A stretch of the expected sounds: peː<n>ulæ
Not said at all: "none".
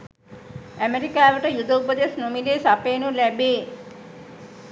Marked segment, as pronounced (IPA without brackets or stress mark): n